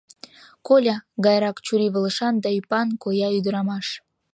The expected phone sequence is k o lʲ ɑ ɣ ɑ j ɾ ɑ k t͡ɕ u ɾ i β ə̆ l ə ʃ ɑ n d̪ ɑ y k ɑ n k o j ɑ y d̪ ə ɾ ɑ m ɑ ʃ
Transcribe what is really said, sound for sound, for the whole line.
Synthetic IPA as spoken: k o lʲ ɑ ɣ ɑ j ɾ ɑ k t͡ɕ u ɾ i β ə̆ l ə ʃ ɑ n d̪ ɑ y p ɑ n k o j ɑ y d̪ ə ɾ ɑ m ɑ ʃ